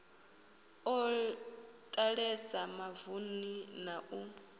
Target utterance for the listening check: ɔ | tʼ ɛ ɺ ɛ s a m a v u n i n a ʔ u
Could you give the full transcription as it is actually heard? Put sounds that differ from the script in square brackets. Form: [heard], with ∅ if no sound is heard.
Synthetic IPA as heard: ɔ | tʼ [a] ɺ ɛ s a m a v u n i n a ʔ u